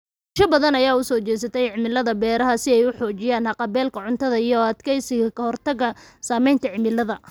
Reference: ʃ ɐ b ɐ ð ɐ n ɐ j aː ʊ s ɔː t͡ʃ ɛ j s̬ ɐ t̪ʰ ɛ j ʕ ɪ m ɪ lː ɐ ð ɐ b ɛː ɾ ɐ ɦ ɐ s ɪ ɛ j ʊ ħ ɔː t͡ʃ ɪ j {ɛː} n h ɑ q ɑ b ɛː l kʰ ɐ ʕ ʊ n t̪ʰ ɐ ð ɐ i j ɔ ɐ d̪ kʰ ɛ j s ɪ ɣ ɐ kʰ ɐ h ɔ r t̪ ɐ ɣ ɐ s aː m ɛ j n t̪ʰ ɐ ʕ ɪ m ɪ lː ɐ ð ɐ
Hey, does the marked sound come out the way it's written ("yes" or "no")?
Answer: no